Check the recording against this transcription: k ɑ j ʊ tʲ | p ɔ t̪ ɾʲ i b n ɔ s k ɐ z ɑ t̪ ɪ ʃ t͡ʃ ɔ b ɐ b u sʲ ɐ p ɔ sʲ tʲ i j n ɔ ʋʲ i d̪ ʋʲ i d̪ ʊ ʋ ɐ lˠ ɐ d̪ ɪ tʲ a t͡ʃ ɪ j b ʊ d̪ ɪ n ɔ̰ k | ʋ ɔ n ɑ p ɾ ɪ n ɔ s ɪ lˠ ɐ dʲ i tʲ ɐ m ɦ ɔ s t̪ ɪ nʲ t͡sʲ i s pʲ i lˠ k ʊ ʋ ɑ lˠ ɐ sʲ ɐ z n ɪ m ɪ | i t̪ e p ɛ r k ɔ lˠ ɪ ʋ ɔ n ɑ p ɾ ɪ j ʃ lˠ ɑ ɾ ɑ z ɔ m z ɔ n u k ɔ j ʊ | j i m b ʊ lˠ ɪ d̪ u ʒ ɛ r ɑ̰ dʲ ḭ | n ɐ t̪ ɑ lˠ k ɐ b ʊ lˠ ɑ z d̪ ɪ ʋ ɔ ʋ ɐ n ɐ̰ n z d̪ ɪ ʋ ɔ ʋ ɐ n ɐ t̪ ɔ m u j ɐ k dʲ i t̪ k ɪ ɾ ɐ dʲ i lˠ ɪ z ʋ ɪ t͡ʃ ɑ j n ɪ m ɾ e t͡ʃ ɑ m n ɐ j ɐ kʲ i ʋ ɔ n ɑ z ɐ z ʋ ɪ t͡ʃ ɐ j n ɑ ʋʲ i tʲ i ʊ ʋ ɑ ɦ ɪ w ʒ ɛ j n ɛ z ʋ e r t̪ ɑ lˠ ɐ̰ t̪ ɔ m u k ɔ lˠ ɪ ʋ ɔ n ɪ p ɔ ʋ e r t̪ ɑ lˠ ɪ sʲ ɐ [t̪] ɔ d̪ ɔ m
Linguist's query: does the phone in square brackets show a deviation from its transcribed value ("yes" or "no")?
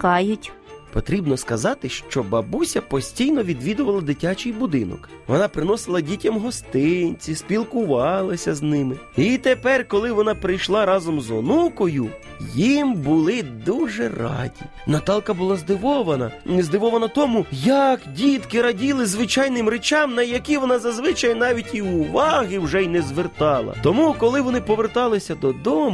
yes